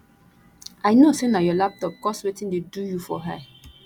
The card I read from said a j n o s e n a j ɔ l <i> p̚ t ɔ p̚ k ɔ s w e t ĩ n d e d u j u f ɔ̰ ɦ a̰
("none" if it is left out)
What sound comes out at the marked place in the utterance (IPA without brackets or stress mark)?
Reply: a